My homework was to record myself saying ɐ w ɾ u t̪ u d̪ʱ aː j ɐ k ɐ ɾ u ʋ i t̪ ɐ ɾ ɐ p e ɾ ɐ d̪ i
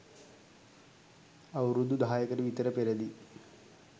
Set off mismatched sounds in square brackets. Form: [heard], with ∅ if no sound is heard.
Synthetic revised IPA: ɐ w ɾ u [d̪] u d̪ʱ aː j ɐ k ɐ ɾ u ʋ i t̪ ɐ ɾ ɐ p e ɾ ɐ d̪ i